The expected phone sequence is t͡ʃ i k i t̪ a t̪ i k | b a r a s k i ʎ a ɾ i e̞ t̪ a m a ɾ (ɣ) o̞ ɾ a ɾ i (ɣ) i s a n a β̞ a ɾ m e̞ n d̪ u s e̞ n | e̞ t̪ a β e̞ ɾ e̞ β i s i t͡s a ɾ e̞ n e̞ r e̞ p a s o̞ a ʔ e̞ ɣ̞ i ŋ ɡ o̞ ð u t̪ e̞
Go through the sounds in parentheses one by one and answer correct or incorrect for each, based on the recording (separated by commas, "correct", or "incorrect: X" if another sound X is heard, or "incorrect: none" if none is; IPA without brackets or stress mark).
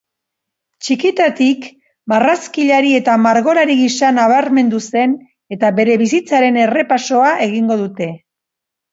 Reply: correct, correct